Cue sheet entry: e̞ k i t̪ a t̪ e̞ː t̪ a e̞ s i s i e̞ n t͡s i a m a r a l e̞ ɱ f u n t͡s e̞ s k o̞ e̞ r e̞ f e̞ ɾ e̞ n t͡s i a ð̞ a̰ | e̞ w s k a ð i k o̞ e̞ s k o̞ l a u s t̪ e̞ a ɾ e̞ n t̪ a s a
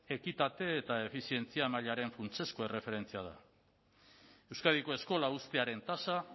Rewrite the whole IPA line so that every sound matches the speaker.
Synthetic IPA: e̞ k i t̪ a t̪ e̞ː t̪ a e̞ f i s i e̞ n t͡s i a m a ʎ a ɾ e̞ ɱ f u n t͡s e̞ s k o̞ e̞ r e̞ f e̞ ɾ e̞ n t͡s i a ð̞ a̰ | e̞ w s k a ð i k o̞ e̞ s k o̞ l a u s t̪ e̞ a ɾ e̞ n t̪ a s a